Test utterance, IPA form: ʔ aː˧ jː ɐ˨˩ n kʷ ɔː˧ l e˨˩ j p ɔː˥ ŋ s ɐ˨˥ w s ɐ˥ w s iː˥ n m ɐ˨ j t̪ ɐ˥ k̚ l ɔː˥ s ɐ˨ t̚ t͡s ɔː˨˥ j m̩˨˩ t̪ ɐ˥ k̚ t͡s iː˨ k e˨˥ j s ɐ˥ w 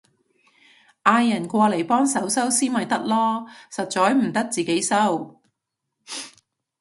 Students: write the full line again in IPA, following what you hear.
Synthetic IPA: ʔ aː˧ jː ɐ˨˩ n kʷ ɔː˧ l e˨˩ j p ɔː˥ ŋ s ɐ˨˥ w s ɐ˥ w s iː˥ n m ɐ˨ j t̪ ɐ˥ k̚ l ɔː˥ s ɐ˨ t̚ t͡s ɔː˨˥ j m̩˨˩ t̪ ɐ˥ k̚ t͡s iː˨ k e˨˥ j s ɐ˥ w